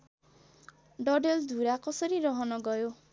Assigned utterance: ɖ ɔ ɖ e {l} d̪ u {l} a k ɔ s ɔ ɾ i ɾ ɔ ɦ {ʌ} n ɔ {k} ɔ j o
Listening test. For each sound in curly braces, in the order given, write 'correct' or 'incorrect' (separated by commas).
correct, incorrect, incorrect, incorrect